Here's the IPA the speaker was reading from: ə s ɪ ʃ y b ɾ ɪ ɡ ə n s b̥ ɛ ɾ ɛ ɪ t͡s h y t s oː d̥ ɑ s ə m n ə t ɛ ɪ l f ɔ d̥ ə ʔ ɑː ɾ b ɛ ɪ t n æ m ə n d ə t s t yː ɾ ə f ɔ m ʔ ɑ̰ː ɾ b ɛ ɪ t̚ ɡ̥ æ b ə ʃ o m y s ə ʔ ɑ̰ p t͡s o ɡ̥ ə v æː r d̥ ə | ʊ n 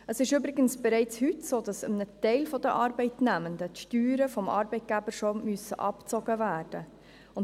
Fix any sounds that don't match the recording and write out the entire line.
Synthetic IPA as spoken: ə s ɪ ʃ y b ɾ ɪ ɡ ə n s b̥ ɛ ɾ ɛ ɪ t͡s h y t s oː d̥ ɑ s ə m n ə t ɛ ɪ l f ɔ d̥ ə ʔ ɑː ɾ b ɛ ɪ t n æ m ə n d ə t ʃ t yː ɾ ə f ɔ m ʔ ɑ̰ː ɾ b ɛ ɪ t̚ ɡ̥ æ b ə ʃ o m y s ə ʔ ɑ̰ p t͡s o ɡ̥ ə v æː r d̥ ə | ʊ n